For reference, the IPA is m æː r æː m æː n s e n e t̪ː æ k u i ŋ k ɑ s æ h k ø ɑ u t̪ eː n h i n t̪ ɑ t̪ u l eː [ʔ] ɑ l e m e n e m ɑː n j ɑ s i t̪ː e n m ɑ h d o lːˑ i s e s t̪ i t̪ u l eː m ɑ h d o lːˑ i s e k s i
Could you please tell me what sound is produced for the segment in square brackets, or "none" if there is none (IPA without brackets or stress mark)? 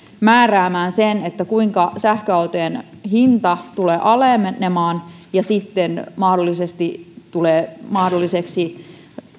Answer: ʔ